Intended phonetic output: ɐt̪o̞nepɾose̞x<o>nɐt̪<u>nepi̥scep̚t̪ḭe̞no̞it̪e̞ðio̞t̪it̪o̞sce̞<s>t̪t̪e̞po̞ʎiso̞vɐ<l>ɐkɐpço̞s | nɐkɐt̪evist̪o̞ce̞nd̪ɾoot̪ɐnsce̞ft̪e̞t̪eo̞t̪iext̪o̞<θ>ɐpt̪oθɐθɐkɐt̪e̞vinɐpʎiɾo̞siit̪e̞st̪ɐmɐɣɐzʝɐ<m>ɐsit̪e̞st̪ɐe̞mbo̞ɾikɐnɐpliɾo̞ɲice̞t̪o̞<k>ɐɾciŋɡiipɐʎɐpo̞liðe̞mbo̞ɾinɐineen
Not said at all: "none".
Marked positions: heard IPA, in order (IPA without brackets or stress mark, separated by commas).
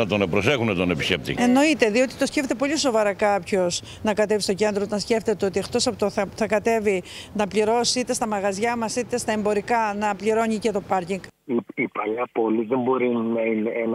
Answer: u, o, f, ɾ, s, m, p